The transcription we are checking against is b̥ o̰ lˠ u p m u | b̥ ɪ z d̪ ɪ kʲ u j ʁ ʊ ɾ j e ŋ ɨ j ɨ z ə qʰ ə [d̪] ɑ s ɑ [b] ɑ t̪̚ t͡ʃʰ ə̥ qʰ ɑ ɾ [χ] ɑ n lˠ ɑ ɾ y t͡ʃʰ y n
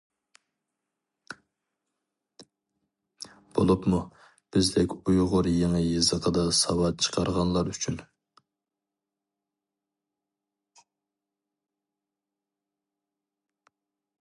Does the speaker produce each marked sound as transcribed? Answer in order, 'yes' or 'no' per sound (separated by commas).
yes, no, no